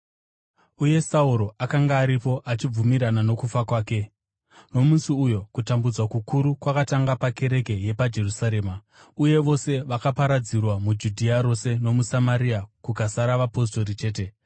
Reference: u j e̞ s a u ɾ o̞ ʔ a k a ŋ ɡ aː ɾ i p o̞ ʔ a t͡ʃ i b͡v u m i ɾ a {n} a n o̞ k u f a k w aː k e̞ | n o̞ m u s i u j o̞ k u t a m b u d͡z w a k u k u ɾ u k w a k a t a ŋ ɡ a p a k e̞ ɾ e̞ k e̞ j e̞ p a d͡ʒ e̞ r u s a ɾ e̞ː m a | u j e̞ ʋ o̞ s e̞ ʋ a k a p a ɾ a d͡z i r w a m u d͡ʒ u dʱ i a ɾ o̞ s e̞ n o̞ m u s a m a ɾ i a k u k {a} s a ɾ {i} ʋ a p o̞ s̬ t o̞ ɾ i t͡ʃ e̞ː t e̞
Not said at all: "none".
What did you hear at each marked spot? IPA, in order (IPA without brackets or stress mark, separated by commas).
n, a, a